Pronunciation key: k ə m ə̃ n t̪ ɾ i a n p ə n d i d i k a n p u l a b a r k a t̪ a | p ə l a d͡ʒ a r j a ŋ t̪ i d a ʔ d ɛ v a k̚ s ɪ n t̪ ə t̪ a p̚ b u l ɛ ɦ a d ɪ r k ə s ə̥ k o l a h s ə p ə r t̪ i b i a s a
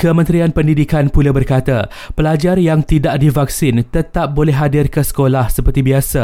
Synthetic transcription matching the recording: k ə m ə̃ n t̪ ɾ i a n p ə n d i d i k a n p u l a b ə r k a t̪ a | p ə l a d͡ʒ a r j a ŋ t̪ i d a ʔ d i v a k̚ s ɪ n t̪ ə t̪ a p̚ b o l ɛ ɦ a d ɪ r k ə s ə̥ k o l a h s ə p ə r t̪ i b i a s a